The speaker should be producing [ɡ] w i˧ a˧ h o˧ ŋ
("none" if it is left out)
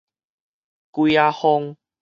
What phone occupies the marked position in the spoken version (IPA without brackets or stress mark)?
k